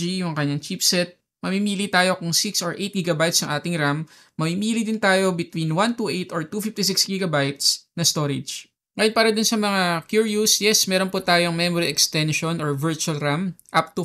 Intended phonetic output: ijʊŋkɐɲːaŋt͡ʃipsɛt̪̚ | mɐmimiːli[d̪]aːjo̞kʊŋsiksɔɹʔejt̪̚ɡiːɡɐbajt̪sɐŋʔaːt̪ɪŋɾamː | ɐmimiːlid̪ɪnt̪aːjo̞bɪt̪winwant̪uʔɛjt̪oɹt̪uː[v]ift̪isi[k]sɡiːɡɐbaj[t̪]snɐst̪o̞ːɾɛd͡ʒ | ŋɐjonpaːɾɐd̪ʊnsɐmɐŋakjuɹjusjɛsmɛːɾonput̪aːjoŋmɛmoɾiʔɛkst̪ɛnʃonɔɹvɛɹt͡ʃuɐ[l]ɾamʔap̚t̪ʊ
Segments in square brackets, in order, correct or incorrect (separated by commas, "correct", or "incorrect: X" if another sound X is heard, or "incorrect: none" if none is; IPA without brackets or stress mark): incorrect: t̪, incorrect: f, correct, correct, correct